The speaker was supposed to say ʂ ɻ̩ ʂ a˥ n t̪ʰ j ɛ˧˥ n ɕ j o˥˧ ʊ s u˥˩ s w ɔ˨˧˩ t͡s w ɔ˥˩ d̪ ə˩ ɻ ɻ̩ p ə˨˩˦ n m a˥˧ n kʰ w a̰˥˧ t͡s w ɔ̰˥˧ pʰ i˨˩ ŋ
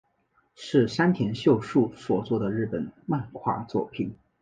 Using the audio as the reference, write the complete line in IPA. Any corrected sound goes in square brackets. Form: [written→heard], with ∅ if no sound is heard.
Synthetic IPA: ʂ ɻ̩ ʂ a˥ n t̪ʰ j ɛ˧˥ n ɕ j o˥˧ ʊ [s→ʂ] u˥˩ s w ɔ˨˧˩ t͡s w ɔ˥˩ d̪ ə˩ ɻ ɻ̩ p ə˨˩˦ n m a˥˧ n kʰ w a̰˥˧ t͡s w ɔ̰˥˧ pʰ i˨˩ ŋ

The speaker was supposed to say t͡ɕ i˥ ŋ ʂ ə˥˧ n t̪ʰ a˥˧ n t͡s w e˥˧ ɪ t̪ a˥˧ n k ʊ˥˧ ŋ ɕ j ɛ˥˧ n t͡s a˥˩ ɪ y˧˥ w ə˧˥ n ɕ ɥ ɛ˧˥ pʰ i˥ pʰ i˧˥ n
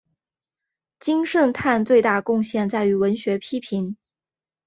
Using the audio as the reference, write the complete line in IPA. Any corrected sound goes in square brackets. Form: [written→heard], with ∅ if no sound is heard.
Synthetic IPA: t͡ɕ i˥ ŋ ʂ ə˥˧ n t̪ʰ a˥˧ n t͡s w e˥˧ ɪ t̪ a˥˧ [n→∅] k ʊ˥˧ ŋ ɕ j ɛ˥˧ n t͡s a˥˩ ɪ y˧˥ w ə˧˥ n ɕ ɥ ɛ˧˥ pʰ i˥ pʰ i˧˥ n

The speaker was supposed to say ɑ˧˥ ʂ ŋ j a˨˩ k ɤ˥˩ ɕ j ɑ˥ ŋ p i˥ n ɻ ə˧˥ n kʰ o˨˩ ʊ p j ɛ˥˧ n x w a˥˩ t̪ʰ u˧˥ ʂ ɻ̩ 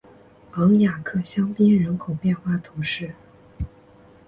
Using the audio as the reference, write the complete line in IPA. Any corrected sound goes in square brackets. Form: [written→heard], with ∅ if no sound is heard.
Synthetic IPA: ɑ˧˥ [ʂ→∅] ŋ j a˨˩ [k→kʰ] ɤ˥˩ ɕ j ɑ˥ ŋ p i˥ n ɻ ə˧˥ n kʰ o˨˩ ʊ p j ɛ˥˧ n x w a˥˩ t̪ʰ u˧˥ ʂ ɻ̩

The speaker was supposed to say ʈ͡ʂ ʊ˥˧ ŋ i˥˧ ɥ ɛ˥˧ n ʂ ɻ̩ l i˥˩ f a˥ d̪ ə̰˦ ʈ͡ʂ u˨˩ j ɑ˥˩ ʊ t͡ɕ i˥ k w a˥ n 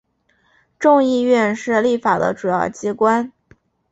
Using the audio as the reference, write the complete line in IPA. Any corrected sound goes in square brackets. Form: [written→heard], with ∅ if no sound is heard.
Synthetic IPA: ʈ͡ʂ ʊ˥˧ ŋ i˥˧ ɥ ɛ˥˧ n ʂ ɻ̩ l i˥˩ f [a˥→a˨˩] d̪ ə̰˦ ʈ͡ʂ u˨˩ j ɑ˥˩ ʊ t͡ɕ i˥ k w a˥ n

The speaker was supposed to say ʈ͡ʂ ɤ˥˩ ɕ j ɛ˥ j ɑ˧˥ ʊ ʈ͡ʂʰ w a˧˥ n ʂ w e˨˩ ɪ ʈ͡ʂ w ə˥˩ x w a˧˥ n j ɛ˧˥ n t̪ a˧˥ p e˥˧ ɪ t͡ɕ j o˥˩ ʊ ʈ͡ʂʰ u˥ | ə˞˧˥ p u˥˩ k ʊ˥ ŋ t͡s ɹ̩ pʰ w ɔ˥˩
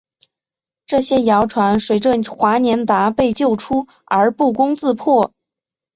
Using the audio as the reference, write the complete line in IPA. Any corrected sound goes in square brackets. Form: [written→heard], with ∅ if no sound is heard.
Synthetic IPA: ʈ͡ʂ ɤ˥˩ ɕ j ɛ˥ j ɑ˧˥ ʊ ʈ͡ʂʰ w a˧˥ n ʂ w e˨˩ ɪ ʈ͡ʂ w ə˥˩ x w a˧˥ n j ɛ˧˥ n t̪ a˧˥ p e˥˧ ɪ t͡ɕ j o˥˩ ʊ ʈ͡ʂʰ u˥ | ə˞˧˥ p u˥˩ k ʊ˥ ŋ t͡s ɹ̩ pʰ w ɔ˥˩

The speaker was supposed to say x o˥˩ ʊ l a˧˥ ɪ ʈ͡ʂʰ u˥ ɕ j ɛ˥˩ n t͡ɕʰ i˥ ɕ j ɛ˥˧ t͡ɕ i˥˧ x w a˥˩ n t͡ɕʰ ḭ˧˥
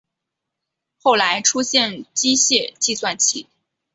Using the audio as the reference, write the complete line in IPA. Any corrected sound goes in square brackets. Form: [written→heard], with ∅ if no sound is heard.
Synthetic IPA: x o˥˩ ʊ l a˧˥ ɪ ʈ͡ʂʰ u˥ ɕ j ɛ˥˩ n [t͡ɕʰ→t͡ɕ] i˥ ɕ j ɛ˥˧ t͡ɕ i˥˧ [x→s] w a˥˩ n t͡ɕʰ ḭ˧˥

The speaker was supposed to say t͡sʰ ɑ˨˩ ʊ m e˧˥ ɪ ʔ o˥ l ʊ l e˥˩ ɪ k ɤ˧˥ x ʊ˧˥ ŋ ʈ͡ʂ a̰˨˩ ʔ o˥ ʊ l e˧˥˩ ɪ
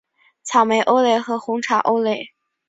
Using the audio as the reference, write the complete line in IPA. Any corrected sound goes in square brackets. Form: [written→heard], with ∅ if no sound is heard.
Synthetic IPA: t͡sʰ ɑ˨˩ ʊ m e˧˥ ɪ ʔ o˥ [l→∅] ʊ l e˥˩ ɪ [k→x] ɤ˧˥ x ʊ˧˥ ŋ [ʈ͡ʂ→ʈ͡ʂʰ] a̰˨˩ ʔ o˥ ʊ l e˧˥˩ ɪ

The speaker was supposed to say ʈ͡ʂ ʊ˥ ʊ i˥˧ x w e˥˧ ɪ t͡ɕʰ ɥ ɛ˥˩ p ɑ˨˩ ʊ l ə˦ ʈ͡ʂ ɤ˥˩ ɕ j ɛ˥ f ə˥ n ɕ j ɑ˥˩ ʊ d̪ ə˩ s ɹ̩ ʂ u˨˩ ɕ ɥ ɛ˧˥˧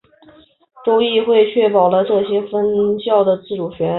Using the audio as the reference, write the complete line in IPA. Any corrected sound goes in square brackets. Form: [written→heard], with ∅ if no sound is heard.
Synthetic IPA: ʈ͡ʂ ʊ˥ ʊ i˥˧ x w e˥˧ ɪ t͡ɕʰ ɥ ɛ˥˩ p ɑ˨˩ ʊ l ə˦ ʈ͡ʂ ɤ˥˩ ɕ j ɛ˥ f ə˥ n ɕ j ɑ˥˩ ʊ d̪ ə˩ [s→t͡s] ɹ̩ [ʂ→ʈ͡ʂ] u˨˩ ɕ ɥ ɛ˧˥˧

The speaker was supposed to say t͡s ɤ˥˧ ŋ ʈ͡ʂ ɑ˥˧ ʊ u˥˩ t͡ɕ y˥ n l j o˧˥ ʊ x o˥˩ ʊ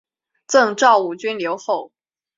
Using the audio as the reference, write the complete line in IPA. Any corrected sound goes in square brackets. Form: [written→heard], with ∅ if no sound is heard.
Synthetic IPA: t͡s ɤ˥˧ ŋ ʈ͡ʂ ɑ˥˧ ʊ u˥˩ t͡ɕ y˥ n l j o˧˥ ʊ x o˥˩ ʊ

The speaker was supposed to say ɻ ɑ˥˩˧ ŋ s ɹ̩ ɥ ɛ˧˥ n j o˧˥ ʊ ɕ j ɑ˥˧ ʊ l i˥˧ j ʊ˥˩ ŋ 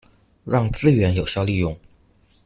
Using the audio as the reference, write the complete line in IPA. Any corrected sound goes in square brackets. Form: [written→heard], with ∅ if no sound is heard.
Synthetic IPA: ɻ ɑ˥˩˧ ŋ [s→t͡s] ɹ̩ ɥ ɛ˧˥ n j [o˧˥→o˨˩] ʊ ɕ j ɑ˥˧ ʊ l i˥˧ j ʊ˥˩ ŋ

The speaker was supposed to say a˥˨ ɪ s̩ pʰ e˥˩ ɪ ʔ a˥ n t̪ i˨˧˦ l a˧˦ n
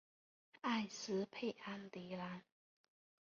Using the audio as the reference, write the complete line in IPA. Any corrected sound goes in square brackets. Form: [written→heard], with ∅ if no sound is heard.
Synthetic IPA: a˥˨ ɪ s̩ pʰ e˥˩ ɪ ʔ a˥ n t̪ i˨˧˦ l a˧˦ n

